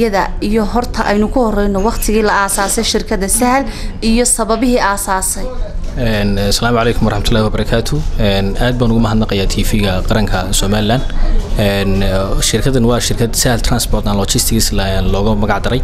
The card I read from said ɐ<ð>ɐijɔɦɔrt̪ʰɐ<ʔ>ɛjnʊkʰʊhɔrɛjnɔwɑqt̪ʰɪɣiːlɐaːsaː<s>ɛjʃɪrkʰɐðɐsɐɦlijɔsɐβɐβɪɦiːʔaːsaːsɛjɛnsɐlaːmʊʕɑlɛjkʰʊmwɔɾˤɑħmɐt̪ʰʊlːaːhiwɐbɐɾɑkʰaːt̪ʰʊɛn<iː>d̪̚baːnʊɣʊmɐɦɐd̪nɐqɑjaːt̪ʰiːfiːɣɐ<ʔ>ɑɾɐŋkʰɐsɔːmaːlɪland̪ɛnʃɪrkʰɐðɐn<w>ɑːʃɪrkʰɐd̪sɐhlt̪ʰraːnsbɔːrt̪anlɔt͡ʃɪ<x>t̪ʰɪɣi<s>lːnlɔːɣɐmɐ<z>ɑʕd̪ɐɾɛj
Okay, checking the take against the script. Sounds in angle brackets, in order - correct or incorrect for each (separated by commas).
correct, correct, correct, incorrect, incorrect, correct, incorrect, correct, incorrect